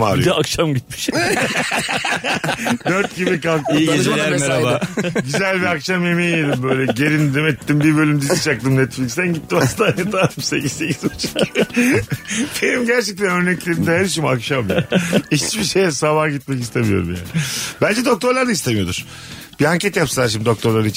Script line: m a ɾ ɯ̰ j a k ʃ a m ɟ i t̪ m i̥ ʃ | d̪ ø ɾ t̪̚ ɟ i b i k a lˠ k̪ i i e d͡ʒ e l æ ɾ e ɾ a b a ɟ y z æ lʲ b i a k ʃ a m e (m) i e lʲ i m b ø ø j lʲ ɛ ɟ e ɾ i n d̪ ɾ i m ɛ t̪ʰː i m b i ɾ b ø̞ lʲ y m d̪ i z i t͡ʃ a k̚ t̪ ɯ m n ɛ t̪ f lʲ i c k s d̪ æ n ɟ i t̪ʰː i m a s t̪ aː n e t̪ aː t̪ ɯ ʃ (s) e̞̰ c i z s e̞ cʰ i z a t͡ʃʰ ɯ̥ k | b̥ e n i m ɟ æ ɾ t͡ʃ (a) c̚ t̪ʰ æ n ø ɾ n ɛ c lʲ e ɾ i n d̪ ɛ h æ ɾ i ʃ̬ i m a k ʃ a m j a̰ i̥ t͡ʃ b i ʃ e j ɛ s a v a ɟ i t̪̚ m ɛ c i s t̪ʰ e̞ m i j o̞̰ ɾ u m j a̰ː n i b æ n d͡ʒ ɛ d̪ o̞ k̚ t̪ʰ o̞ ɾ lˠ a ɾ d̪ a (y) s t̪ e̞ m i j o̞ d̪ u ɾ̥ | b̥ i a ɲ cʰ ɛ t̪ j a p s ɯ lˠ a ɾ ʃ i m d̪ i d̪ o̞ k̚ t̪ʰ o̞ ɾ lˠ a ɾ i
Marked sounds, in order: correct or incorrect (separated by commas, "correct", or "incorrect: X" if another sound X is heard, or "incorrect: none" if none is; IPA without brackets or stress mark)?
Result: correct, correct, incorrect: ɛ, incorrect: i